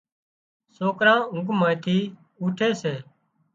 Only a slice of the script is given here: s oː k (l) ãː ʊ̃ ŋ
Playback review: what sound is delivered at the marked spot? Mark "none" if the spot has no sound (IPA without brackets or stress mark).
ɾ